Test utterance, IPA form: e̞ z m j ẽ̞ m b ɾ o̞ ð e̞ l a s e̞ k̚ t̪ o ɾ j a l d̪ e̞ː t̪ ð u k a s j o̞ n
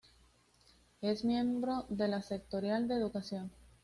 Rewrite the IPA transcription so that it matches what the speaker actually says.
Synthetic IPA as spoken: e̞ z m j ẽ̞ m b ɾ o̞ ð e̞ l a s e̞ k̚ t̪ o ɾ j a l d̪ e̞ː ð u k a s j o̞ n